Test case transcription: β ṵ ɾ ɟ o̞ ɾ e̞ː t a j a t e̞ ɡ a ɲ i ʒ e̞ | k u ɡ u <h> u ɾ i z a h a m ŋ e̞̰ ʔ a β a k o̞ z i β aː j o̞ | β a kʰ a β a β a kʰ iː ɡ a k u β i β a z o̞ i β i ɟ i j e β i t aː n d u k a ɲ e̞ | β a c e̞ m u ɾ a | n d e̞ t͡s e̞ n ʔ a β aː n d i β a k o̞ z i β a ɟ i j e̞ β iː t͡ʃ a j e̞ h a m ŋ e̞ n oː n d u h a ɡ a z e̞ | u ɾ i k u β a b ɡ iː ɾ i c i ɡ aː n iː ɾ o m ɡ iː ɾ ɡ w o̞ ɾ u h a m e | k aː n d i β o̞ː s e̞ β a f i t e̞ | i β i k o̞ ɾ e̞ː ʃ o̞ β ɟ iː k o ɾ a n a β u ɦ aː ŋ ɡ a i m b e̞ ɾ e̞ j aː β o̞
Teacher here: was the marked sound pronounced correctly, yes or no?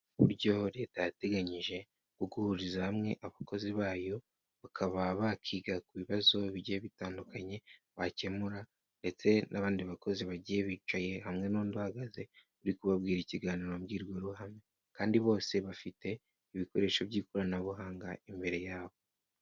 yes